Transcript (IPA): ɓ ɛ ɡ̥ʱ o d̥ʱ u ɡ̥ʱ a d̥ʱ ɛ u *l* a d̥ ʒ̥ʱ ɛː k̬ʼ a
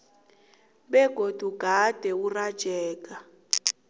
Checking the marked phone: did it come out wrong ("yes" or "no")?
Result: yes